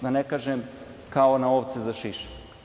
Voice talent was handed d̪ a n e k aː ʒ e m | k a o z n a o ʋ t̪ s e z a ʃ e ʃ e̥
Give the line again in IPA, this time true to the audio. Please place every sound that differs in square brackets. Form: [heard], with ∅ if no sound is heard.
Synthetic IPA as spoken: d̪ a n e k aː ʒ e m | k a o [∅] n a o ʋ t̪ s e z a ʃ [i] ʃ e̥